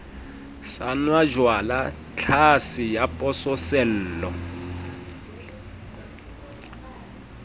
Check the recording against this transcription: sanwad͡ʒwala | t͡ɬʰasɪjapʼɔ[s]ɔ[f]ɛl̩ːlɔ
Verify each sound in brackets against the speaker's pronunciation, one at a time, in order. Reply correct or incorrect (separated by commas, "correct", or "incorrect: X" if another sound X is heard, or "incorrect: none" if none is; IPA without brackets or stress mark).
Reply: correct, incorrect: s